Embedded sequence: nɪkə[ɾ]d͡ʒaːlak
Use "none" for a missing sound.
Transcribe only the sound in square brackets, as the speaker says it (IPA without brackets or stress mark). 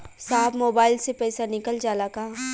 l